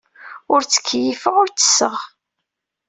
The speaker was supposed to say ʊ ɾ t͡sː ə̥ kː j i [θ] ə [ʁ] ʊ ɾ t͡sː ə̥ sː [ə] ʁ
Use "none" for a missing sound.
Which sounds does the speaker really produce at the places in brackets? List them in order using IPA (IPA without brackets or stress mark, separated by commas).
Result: f, ʁ, ə